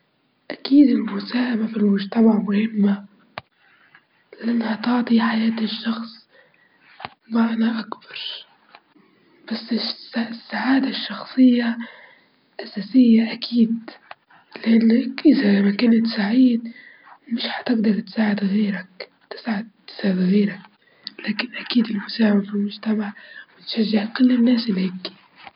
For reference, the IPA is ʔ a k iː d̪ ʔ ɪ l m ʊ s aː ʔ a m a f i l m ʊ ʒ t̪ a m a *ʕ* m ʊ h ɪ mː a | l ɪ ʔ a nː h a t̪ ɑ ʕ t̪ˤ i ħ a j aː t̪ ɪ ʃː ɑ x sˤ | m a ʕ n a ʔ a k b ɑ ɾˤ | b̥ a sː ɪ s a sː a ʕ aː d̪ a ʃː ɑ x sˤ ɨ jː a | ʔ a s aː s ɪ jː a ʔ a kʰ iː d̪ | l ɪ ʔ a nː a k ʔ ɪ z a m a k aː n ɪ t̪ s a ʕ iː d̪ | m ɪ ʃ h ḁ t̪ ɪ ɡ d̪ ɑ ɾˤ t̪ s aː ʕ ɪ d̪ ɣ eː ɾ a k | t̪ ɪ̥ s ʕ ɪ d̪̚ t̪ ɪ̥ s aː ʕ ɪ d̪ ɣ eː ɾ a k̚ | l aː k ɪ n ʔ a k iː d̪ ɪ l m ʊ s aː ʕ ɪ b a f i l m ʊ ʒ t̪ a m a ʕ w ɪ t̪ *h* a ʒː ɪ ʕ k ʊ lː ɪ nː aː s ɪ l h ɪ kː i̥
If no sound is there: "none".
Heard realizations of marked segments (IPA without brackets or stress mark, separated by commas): ʕ, ʃ